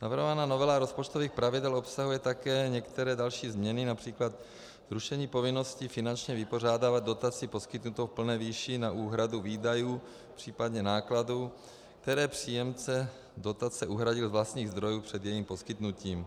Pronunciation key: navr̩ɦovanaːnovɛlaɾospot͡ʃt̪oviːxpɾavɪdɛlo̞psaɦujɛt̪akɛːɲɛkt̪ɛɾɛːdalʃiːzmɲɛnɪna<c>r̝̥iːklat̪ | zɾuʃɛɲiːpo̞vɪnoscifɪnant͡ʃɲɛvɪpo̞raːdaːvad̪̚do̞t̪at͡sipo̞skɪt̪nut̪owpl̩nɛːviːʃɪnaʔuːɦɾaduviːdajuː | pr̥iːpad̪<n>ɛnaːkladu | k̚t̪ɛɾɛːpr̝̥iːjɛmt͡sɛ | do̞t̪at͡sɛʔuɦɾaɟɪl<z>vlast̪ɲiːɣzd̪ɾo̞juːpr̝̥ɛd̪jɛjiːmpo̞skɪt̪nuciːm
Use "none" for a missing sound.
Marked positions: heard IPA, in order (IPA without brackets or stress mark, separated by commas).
p, ɲ, z